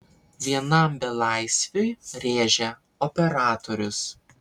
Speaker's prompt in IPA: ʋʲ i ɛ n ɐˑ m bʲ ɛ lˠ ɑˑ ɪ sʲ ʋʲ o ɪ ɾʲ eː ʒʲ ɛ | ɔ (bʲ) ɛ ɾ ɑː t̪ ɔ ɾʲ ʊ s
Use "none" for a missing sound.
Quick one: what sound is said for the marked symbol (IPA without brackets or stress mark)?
pʲ